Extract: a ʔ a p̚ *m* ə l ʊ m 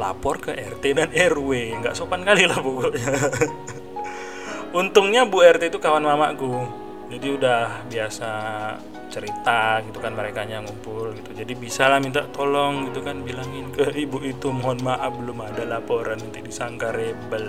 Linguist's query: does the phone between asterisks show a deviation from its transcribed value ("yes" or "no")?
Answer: yes